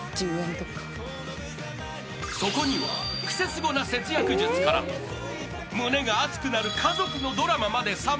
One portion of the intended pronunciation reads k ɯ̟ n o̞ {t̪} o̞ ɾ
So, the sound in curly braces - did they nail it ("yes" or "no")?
no